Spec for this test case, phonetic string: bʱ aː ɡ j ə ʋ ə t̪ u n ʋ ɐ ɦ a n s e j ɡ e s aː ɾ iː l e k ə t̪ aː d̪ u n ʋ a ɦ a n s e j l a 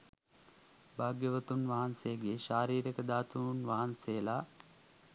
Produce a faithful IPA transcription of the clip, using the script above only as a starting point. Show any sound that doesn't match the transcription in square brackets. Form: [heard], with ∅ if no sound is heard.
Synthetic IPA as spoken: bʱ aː ɡ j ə ʋ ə t̪ u n ʋ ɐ ɦ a n s e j ɡ e [ʃ] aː ɾ iː [ɾ] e k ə [d̪] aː [t̪] u n ʋ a ɦ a n s e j l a